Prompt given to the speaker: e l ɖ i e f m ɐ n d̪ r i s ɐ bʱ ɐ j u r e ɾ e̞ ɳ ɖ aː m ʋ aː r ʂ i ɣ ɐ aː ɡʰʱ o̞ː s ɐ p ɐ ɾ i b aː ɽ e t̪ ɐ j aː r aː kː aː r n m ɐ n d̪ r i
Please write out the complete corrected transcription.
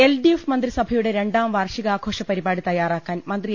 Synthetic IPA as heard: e l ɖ i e f m ɐ n d̪ r i s ɐ bʱ ɐ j u ɽ e ɾ e̞ ɳ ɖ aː m ʋ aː r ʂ i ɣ ɐ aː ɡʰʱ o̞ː ʂ ɐ p ɐ ɾ i b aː ɽ i t̪ ɐ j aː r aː kː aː n m ɐ n d̪ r i